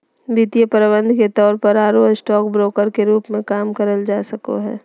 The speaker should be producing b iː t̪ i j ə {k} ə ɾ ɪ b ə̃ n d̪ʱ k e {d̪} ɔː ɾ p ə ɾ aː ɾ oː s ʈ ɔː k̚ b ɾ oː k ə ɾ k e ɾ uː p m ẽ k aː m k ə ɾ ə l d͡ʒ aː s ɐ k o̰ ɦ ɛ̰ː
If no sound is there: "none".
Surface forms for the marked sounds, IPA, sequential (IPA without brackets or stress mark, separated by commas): p, t̪